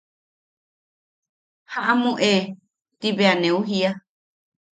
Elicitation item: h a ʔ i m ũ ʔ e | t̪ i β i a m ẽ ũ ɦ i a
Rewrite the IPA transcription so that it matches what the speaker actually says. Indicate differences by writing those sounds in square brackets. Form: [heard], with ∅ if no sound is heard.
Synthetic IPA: h a ʔ [a] m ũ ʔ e | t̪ i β [e] a [n] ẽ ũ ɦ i a